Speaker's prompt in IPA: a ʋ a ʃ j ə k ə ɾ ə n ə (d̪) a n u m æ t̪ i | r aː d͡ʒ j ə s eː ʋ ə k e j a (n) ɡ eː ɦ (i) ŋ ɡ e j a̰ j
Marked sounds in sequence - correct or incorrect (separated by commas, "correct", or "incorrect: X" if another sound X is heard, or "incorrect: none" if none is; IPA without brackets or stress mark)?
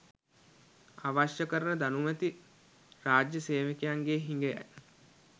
correct, incorrect: ŋ, correct